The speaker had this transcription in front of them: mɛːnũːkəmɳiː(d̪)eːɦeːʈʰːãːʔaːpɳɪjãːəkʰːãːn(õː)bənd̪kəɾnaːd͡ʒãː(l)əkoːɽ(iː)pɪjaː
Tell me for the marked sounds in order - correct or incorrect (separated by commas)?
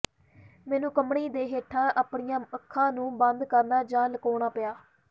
correct, incorrect, correct, incorrect